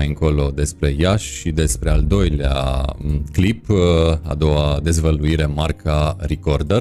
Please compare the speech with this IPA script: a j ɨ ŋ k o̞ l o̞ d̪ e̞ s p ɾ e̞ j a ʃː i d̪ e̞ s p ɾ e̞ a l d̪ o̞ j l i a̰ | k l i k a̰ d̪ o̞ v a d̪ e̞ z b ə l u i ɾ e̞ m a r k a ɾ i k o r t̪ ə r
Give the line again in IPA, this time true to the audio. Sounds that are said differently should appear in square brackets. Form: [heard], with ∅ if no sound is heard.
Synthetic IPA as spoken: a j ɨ ŋ k o̞ l o̞ d̪ e̞ s p ɾ e̞ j a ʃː i d̪ e̞ s p ɾ e̞ a l d̪ o̞ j l [e] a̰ | k l i [p] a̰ d̪ o̞ [w] a d̪ e̞ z [v] ə l u i ɾ e̞ m a r k a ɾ i k o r [d̪] ə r